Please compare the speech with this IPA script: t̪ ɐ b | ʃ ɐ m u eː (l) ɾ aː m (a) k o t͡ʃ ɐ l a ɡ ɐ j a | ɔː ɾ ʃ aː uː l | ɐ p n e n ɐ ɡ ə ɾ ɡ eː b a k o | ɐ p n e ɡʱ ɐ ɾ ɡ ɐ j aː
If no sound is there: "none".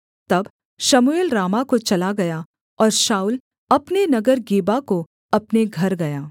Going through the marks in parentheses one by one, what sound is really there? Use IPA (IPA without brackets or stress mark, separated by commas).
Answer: l, a